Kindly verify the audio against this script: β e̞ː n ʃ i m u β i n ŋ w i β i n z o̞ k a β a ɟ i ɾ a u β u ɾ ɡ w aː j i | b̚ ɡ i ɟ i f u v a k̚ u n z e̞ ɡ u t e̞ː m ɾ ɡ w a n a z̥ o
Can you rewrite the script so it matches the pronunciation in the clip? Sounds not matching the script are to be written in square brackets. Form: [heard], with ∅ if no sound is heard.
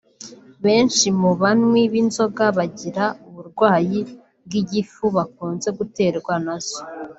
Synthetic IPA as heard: β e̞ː n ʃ i m u β [a] n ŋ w i β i n z o̞ [ɡ] a β a ɟ i ɾ a u β u ɾ ɡ w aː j i | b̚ ɡ i ɟ i f u [β] a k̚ [uː] n z e̞ ɡ u t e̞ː [∅] ɾ ɡ w a n a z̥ o